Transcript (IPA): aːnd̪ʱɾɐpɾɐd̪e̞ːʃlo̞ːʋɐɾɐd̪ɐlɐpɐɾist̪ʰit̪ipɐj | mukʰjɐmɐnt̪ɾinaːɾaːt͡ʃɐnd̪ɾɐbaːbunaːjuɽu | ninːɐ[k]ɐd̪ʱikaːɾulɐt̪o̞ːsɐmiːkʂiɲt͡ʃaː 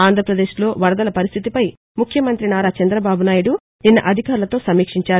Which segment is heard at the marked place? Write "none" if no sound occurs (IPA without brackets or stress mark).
ʔ